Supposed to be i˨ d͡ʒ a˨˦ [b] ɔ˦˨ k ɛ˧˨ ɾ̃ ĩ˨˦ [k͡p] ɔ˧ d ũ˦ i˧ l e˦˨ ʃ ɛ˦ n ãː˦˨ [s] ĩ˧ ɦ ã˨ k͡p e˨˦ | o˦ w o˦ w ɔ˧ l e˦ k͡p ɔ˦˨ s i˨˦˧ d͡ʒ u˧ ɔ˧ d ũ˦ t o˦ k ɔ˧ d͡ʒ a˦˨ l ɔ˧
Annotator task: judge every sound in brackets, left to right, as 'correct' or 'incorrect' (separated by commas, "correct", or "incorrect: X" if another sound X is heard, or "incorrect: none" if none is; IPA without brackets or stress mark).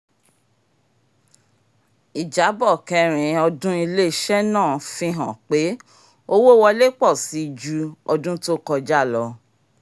correct, incorrect: none, incorrect: f